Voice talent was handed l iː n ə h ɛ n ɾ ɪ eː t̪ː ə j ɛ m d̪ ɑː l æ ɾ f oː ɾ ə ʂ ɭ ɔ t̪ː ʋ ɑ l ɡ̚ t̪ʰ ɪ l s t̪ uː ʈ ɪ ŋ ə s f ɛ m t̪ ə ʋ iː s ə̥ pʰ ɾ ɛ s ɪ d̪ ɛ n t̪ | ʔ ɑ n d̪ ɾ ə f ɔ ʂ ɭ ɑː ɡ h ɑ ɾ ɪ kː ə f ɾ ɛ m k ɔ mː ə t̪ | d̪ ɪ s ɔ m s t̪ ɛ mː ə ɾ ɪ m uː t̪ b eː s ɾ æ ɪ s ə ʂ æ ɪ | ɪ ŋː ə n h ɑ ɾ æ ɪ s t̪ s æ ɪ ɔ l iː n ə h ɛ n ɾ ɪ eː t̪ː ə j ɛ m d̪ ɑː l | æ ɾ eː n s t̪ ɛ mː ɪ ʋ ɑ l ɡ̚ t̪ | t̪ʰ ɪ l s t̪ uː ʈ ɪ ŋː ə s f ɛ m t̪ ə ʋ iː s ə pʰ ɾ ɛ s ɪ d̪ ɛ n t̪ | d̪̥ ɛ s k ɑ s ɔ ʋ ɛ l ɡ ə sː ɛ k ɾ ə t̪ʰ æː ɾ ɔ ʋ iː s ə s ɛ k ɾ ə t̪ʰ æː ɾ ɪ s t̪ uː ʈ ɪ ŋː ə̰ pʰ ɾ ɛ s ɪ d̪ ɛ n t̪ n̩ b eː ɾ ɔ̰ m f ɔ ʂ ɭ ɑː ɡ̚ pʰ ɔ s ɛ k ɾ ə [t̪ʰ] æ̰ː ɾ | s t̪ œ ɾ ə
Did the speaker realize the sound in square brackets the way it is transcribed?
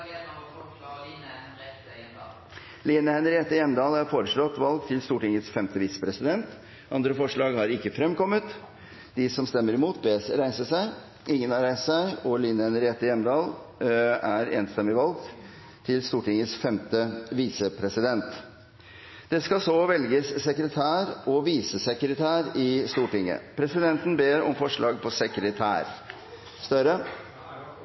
yes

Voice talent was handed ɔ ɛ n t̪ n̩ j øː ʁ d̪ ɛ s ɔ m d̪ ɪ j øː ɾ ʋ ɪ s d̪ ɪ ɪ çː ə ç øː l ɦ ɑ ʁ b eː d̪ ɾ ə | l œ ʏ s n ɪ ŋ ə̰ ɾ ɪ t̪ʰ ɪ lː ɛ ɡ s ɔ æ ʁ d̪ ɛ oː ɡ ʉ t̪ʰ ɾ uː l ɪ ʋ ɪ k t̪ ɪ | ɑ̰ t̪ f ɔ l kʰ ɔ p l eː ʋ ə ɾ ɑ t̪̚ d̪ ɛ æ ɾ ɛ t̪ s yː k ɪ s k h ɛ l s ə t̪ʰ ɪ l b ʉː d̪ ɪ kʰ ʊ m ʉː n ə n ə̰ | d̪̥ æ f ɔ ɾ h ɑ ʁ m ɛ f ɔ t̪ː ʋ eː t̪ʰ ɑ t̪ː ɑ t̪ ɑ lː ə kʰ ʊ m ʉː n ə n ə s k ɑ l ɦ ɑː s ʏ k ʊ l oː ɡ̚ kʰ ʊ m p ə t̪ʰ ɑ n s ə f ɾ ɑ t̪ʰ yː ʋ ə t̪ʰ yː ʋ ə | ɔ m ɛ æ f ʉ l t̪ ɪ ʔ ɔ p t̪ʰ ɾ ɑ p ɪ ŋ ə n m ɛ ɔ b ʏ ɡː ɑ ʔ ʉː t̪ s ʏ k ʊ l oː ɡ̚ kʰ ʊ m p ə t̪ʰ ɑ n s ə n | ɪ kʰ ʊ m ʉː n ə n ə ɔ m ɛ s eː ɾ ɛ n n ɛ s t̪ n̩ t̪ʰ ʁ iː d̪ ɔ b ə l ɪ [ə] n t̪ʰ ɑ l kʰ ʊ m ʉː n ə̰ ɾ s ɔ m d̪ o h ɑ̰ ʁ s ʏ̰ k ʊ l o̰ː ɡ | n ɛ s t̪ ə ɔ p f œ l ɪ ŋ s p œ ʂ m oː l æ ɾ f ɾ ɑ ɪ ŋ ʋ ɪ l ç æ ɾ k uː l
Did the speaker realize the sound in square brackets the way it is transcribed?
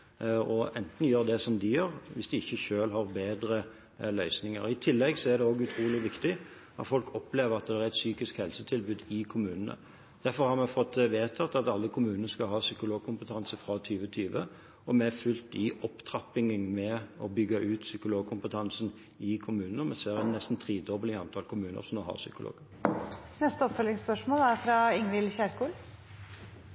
no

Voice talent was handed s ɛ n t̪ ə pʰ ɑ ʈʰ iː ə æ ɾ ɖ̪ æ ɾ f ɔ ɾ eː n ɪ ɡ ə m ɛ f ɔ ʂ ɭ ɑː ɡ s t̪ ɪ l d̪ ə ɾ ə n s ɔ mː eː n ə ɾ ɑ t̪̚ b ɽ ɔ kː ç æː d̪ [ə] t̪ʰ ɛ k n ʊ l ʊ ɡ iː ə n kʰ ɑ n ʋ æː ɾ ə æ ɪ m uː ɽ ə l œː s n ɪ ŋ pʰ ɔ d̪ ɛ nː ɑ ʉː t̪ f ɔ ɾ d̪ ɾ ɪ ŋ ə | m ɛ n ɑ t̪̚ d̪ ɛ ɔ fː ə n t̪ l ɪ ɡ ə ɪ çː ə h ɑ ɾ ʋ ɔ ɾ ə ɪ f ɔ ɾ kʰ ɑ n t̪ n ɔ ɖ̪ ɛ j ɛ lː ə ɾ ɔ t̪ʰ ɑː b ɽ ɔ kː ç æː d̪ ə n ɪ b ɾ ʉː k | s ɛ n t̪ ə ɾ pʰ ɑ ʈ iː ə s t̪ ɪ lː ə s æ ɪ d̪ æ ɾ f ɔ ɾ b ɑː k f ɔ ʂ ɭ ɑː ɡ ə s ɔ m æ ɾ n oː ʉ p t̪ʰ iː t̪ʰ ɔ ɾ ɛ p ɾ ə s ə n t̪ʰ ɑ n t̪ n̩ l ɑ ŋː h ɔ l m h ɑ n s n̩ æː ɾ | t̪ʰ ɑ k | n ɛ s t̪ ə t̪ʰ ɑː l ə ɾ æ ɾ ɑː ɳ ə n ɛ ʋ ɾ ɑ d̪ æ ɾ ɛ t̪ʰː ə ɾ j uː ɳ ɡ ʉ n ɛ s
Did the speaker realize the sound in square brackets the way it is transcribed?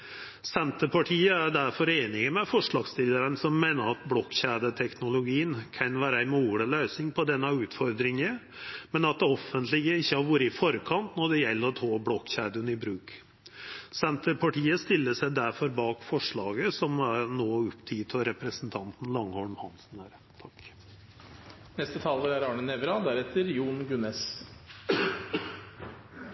yes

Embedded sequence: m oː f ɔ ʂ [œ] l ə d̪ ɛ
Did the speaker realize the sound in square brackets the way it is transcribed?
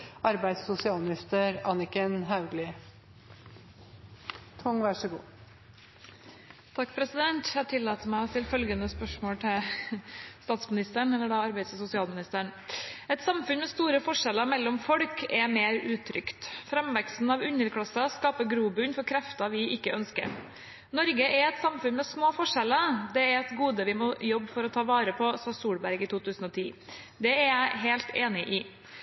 no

